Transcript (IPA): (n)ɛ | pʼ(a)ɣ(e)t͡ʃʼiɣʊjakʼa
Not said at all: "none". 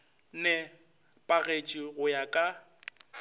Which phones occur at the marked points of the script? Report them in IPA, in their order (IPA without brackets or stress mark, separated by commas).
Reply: n, a, e